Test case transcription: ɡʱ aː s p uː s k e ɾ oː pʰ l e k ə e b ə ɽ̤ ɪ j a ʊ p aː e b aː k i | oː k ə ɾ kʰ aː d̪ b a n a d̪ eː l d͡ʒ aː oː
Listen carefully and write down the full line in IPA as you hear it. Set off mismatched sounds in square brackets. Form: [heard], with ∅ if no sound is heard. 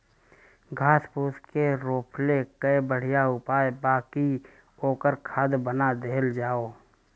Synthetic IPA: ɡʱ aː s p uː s k e ɾ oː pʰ l e k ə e b ə ɽ̤ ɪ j a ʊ p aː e b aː k i | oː k ə ɾ kʰ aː d̪ b [ə] n a d̪ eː l d͡ʒ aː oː